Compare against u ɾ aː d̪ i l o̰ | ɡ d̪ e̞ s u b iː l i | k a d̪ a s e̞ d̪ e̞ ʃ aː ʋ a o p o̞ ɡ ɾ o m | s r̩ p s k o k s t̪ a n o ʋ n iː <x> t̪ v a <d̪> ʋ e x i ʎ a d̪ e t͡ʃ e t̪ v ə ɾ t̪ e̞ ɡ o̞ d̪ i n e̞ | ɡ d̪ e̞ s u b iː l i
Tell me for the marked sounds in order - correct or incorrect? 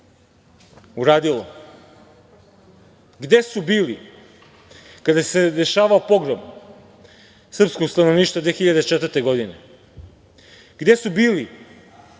incorrect: ʃ, correct

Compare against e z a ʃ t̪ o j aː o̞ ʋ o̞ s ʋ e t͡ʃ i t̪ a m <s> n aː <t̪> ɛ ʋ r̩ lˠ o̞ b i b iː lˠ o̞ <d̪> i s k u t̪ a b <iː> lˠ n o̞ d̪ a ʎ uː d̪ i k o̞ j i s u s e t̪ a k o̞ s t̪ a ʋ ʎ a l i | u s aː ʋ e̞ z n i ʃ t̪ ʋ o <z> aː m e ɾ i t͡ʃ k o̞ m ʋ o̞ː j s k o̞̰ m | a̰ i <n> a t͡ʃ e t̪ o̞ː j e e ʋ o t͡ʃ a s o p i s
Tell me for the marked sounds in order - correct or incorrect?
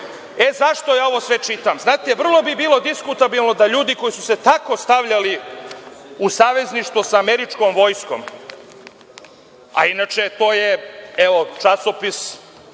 incorrect: z, correct, correct, incorrect: i, incorrect: s, correct

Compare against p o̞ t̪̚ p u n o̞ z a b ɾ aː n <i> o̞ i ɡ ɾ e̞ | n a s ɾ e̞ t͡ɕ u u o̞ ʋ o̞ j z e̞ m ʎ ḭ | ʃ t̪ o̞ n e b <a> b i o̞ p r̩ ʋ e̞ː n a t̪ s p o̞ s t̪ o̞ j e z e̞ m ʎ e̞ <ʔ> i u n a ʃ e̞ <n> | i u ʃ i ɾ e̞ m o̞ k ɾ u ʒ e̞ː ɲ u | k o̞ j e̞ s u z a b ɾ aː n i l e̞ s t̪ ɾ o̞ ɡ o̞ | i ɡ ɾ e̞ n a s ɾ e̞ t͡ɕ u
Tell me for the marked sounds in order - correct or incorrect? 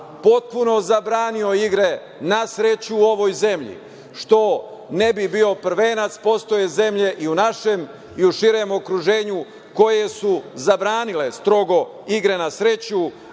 correct, incorrect: i, correct, incorrect: m

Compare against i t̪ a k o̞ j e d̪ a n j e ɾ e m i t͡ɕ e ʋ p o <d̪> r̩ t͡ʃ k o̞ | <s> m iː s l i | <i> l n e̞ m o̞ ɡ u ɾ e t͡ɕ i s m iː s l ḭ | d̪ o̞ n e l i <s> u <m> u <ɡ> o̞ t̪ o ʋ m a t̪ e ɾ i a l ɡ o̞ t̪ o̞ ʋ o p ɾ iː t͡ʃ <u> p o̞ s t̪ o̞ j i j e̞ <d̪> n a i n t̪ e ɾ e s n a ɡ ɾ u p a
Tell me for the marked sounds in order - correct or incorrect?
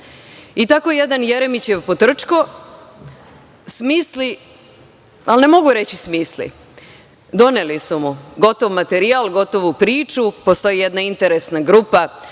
incorrect: t̪, correct, incorrect: a, correct, correct, correct, correct, correct

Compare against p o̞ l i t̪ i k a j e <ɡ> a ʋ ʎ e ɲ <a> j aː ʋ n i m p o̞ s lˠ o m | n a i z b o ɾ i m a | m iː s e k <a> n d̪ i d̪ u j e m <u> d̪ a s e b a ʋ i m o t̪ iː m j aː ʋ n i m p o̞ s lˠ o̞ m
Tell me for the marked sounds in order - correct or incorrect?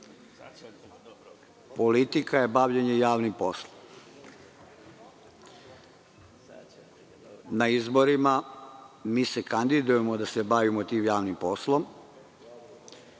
incorrect: b, incorrect: e, correct, incorrect: o

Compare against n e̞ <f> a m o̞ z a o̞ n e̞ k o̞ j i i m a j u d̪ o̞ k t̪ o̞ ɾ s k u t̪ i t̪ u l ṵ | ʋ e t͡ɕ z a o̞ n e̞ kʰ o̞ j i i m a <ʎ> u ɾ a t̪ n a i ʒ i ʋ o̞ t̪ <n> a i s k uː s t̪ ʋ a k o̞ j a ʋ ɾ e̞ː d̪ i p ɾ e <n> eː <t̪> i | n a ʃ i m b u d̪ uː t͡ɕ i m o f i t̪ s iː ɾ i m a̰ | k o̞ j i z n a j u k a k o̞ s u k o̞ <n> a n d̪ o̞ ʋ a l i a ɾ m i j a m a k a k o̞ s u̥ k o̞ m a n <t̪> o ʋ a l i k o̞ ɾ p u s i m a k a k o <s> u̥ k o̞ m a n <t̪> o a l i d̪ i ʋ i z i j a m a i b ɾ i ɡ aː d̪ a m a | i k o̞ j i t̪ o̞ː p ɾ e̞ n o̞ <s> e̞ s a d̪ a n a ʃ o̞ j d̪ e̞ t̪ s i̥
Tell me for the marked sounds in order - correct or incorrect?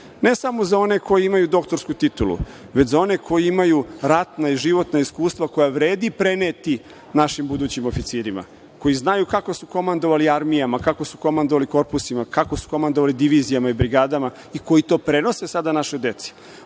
incorrect: s, incorrect: j, correct, correct, correct, incorrect: m, incorrect: d̪, correct, incorrect: d̪, correct

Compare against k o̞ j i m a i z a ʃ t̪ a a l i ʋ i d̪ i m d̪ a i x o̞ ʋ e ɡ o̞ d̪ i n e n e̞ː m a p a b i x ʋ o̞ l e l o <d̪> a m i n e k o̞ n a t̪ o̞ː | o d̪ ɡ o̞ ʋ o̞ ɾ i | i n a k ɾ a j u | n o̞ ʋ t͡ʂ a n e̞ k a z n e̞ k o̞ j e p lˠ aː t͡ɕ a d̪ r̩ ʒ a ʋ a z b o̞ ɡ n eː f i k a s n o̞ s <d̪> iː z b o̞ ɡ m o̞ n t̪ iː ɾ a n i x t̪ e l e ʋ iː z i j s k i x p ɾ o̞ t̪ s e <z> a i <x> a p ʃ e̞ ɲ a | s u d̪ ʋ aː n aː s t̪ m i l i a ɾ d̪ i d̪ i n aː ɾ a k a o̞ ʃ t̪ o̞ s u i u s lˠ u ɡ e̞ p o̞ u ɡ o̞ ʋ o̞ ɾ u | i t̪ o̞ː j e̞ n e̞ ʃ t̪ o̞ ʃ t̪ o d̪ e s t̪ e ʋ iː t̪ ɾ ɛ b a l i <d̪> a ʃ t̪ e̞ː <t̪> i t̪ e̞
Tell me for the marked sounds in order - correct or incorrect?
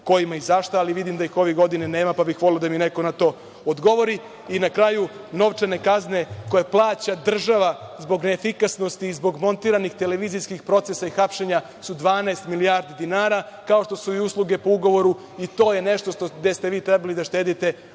correct, incorrect: t̪, incorrect: s, correct, correct, incorrect: d̪

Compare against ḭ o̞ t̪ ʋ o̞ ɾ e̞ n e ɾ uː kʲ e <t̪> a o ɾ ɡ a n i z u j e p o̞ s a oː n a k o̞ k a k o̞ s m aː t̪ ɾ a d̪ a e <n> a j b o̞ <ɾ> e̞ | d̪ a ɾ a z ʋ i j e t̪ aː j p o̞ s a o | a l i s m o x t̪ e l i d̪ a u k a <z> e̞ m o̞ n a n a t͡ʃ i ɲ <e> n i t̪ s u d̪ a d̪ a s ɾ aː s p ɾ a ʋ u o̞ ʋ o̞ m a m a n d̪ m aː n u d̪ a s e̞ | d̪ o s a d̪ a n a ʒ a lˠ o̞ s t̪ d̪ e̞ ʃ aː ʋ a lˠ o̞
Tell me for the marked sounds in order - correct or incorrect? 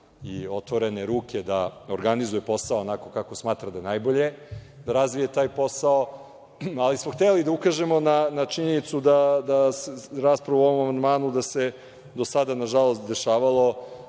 incorrect: d̪, correct, incorrect: ʎ, incorrect: ʒ, correct

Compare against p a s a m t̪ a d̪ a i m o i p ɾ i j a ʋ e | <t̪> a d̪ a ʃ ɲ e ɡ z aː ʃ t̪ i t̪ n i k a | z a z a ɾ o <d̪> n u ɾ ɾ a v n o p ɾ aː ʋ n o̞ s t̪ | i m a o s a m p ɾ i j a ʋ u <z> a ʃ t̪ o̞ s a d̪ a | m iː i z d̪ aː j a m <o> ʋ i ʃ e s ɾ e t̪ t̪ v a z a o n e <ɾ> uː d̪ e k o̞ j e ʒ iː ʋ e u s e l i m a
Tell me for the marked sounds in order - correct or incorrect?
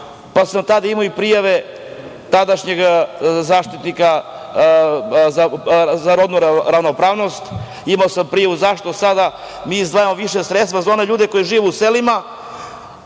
correct, correct, correct, correct, incorrect: ʎ

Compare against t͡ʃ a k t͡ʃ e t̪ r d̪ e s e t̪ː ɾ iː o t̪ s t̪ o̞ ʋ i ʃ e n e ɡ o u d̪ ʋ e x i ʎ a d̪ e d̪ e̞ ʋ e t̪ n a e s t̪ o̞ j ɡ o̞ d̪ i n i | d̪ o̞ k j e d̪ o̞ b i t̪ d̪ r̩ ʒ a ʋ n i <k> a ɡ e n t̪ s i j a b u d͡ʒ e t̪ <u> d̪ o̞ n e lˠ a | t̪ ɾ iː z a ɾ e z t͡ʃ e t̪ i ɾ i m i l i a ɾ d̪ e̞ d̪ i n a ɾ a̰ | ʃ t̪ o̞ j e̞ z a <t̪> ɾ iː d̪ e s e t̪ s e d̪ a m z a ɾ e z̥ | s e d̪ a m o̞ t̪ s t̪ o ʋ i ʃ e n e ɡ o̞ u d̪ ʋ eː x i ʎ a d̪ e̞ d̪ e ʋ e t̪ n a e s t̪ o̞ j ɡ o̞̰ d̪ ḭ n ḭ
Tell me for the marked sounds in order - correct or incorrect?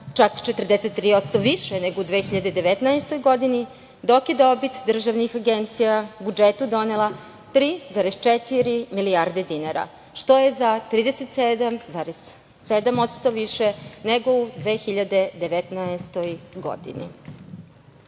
incorrect: x, correct, correct

